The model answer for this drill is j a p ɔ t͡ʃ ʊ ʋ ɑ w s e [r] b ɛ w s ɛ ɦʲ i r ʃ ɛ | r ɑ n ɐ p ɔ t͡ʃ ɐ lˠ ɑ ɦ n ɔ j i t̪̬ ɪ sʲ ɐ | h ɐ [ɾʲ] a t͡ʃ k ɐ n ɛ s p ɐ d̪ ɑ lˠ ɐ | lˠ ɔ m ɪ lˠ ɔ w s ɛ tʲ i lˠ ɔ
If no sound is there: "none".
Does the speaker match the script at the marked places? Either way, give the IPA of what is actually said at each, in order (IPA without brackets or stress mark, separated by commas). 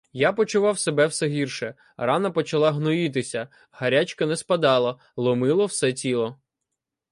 none, ɾʲ